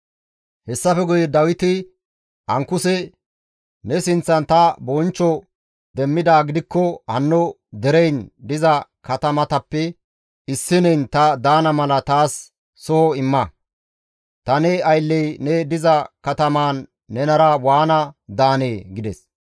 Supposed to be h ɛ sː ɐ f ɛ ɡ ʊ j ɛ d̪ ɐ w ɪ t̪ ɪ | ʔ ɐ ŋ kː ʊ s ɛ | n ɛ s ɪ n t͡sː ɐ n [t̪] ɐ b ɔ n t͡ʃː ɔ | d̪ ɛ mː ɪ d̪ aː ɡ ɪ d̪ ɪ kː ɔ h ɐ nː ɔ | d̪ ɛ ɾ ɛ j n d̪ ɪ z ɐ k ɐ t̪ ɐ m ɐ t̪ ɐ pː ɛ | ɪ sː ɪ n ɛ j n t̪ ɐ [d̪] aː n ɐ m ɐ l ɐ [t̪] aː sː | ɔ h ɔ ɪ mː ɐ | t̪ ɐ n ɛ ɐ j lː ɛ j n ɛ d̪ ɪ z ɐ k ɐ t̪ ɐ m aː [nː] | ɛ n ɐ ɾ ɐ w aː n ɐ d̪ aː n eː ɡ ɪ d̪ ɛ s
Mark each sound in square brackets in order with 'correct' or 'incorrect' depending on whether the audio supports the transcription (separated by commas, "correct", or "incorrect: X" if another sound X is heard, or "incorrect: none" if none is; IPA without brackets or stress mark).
correct, correct, correct, correct